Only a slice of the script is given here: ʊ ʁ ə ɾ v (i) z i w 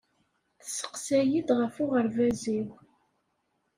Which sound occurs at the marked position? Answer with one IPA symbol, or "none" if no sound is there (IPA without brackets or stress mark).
æ